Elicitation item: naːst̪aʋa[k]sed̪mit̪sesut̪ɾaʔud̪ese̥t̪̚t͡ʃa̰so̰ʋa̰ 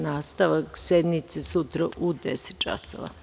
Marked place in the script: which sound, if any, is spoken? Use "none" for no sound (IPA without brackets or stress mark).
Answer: k